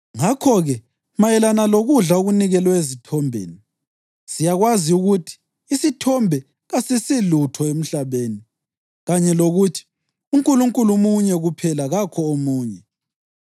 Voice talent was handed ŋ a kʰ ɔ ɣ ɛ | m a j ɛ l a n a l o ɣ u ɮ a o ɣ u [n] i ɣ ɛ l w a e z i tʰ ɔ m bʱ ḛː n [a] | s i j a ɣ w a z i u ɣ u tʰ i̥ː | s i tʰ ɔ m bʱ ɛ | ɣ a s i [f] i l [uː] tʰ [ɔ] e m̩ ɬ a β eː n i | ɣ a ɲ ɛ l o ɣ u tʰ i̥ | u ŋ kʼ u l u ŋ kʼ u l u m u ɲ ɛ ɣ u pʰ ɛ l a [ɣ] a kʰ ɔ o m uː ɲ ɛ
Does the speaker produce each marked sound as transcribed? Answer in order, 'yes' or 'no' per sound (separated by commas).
yes, no, no, no, yes, yes